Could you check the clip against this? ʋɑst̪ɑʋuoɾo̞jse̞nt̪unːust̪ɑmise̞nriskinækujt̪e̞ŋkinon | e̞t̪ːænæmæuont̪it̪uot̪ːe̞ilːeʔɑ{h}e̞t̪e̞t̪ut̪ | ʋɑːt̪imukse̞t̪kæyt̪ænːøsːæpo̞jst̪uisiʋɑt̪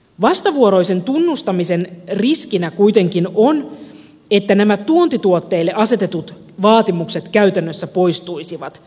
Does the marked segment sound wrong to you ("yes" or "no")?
yes